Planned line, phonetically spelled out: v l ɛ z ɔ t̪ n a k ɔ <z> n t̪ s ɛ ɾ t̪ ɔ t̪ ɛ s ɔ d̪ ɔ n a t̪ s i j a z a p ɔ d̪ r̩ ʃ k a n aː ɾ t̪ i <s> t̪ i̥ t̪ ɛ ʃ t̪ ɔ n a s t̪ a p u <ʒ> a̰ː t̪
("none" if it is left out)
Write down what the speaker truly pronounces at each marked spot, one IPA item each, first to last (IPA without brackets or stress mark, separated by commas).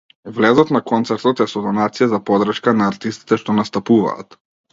none, s, v